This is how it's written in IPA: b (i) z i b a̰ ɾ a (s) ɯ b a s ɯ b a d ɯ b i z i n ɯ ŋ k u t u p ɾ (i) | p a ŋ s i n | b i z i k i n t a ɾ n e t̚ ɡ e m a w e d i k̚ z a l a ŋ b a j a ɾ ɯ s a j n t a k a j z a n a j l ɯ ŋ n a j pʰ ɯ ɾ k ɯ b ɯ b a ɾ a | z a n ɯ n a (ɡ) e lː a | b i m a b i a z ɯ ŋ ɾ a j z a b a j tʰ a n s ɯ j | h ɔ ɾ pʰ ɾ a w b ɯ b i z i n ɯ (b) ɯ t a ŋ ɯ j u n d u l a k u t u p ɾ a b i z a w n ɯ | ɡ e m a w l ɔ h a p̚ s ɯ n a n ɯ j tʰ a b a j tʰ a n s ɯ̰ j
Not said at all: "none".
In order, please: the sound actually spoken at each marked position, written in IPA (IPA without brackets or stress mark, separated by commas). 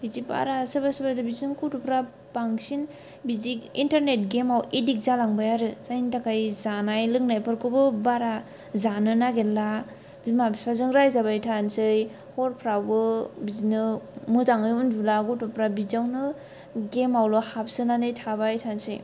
i, s, a, ɡ, m